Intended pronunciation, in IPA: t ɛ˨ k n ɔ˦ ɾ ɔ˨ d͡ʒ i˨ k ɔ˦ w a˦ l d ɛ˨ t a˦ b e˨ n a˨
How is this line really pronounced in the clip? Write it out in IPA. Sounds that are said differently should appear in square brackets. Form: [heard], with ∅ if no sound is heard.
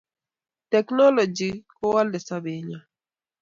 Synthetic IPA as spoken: t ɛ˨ k n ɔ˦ [l] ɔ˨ d͡ʒ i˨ k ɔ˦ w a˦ l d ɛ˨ [s] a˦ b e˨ [ɲ] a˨